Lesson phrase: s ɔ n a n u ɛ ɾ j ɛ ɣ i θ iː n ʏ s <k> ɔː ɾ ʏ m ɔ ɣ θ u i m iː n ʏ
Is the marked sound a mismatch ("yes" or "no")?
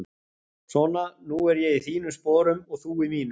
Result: yes